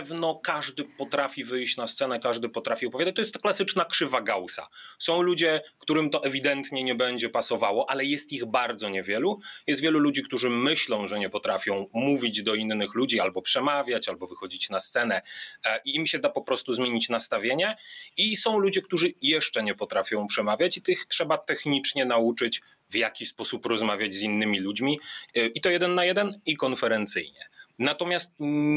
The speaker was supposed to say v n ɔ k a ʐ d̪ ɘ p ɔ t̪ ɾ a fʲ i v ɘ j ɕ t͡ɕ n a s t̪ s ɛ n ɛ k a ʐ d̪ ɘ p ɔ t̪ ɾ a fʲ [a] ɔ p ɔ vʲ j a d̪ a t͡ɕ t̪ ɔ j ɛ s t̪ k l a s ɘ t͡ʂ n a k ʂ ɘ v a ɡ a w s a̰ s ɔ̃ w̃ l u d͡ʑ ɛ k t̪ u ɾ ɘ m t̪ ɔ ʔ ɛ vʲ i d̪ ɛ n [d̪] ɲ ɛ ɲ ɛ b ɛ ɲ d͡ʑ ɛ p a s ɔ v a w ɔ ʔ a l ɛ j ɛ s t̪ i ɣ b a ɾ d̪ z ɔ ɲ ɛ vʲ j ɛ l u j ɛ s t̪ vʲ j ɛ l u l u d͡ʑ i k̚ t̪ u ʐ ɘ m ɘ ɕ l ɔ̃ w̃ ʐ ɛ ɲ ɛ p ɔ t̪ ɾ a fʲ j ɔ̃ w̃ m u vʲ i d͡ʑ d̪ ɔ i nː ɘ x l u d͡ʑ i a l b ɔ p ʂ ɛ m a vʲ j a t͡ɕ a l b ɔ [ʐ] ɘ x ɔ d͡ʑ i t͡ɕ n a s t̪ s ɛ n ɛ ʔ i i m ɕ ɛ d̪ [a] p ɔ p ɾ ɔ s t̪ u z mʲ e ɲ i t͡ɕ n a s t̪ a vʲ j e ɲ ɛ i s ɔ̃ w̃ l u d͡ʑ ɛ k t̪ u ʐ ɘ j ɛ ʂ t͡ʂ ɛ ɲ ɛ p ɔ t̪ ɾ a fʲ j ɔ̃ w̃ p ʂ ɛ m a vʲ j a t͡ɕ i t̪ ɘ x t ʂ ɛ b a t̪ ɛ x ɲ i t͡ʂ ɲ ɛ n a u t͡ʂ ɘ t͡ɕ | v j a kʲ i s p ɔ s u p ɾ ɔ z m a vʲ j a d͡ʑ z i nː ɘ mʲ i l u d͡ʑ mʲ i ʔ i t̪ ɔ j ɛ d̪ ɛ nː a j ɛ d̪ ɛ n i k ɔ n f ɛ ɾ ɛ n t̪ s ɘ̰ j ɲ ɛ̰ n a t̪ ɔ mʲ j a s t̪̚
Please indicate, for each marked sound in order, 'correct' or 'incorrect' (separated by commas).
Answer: incorrect, incorrect, incorrect, correct